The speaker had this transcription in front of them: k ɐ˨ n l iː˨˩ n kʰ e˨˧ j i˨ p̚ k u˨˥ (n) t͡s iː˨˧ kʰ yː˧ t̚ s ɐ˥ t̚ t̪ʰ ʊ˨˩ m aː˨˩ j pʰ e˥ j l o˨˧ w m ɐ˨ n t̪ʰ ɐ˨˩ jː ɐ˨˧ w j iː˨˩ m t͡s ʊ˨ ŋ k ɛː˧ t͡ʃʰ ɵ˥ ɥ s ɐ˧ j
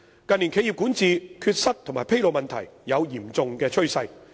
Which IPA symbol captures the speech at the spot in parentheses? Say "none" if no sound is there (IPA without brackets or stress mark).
n